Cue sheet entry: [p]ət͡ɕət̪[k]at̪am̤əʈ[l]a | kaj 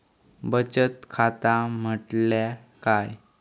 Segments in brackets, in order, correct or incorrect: incorrect, incorrect, correct

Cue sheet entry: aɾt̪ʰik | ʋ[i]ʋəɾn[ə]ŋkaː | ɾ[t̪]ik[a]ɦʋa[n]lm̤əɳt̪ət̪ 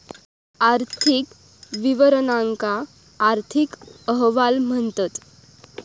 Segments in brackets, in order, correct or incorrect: correct, incorrect, incorrect, incorrect, incorrect

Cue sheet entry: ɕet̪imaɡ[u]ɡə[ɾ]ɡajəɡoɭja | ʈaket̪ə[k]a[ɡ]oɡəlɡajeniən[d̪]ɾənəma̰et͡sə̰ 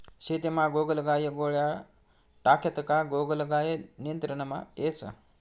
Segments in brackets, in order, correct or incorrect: incorrect, incorrect, correct, correct, incorrect

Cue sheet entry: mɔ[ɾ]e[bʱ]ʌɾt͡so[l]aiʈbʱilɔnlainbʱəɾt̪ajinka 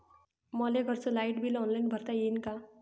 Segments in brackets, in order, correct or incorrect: incorrect, incorrect, correct

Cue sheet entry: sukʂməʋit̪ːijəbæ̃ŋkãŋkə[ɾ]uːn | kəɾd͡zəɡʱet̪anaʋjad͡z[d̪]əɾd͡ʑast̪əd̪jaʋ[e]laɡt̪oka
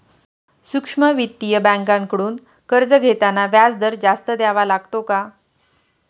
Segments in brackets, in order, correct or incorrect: incorrect, correct, incorrect

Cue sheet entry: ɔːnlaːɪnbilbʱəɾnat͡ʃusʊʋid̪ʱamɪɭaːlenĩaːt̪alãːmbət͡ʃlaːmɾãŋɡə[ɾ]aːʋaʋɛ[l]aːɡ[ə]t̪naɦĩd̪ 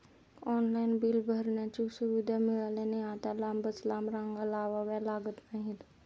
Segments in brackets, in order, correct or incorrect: incorrect, correct, correct

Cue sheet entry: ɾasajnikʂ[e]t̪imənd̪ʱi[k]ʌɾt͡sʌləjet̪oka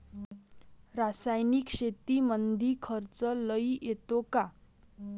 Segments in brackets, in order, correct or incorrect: correct, incorrect

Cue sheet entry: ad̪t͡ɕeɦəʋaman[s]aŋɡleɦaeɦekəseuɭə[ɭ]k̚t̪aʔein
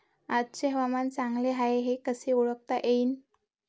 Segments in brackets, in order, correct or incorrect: incorrect, incorrect

